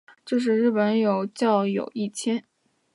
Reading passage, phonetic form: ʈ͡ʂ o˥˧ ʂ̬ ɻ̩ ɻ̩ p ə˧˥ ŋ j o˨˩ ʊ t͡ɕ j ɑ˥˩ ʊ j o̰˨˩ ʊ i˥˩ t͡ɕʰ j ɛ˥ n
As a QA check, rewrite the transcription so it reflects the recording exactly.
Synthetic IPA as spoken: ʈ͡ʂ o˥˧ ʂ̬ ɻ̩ ɻ̩ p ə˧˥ n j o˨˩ ʊ t͡ɕ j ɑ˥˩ ʊ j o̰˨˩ ʊ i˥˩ t͡ɕʰ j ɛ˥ n